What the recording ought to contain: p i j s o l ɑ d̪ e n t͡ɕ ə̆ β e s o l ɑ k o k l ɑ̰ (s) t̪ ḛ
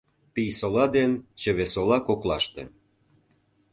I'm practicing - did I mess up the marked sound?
yes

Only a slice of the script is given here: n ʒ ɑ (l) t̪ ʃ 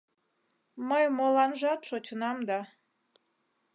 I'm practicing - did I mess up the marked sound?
yes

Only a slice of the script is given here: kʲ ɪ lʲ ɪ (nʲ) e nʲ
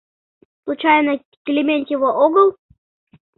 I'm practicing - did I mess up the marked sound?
yes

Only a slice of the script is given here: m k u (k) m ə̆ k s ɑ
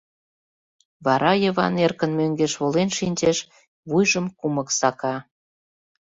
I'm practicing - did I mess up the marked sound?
yes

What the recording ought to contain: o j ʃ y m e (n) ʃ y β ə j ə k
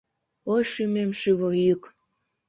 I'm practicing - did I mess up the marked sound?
yes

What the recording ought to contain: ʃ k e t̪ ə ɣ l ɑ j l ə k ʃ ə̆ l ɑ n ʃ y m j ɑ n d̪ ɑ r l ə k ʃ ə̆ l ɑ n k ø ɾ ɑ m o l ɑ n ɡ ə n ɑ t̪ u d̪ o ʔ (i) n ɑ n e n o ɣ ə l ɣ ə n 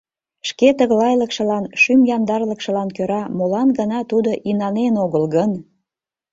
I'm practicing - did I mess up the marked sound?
no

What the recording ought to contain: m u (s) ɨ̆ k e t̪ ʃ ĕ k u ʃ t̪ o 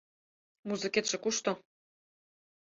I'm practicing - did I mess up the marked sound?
yes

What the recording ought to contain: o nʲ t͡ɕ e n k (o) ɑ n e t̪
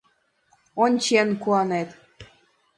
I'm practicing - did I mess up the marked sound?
yes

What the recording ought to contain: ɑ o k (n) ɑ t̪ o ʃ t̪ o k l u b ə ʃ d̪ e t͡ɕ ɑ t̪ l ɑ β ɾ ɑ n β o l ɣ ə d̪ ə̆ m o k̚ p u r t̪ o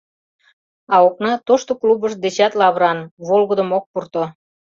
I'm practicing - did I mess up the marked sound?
no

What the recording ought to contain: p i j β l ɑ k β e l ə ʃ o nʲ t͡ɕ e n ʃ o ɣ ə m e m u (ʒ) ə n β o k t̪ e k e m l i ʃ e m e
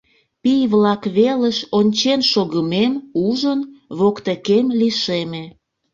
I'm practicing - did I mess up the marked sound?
no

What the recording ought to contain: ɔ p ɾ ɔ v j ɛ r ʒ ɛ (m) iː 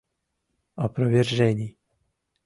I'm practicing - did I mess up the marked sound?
yes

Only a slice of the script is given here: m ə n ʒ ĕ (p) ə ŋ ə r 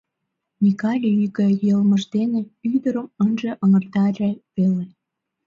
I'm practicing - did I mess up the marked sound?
yes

